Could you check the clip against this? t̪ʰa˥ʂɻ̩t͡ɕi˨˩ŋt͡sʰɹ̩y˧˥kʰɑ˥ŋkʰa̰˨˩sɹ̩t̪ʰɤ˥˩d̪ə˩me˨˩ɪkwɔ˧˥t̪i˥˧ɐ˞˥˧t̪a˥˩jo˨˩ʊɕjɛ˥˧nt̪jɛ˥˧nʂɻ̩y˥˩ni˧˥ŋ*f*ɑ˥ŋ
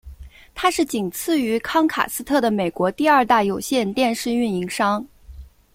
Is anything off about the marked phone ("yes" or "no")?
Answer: yes